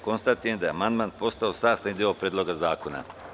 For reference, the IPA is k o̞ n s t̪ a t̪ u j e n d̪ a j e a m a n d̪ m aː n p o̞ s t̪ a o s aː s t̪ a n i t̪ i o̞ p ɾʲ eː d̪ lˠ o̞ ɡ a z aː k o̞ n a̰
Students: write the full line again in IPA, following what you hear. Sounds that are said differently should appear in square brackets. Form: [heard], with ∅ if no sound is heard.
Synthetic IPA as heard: k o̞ n s t̪ a t̪ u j e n d̪ a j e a m a n d̪ m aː n p o̞ s t̪ a o s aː s t̪ a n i [d̪] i o̞ p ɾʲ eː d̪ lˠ o̞ ɡ a z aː k o̞ n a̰